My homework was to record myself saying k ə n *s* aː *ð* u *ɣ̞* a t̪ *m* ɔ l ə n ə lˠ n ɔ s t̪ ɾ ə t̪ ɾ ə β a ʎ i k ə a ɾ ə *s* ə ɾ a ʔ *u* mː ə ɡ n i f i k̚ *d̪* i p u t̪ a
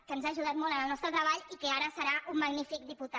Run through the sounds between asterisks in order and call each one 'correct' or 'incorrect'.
incorrect, incorrect, incorrect, correct, correct, correct, correct

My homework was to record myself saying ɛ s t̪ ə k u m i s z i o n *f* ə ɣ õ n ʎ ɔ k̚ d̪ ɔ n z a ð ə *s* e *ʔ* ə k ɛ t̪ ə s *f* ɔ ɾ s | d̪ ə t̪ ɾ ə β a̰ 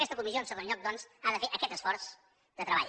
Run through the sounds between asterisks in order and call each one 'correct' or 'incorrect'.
incorrect, incorrect, correct, correct

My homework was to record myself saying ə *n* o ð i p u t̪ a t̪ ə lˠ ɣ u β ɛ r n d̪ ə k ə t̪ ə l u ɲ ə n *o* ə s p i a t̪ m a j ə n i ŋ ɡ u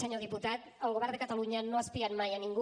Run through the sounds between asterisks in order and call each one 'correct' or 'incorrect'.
incorrect, correct

